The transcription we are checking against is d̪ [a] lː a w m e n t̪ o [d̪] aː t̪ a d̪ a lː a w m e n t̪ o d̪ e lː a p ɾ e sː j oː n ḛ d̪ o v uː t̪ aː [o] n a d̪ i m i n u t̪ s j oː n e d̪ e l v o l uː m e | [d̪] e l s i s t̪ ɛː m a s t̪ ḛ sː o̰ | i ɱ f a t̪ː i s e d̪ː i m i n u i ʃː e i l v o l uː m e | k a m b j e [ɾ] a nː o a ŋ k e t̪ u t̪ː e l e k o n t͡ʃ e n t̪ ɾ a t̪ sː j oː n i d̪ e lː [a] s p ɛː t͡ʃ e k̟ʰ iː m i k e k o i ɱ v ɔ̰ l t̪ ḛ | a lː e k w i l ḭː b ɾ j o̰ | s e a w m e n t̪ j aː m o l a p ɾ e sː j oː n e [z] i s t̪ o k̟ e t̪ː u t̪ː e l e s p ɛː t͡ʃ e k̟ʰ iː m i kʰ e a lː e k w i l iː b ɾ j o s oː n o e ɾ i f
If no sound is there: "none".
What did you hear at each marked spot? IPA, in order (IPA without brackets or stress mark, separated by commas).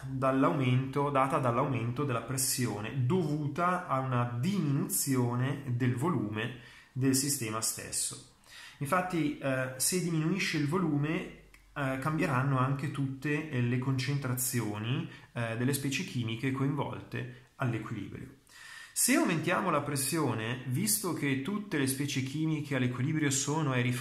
a, d̪, u, d̪, ɾ, e, v